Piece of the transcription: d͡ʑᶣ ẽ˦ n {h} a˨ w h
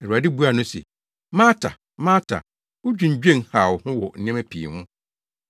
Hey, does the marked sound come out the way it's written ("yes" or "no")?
yes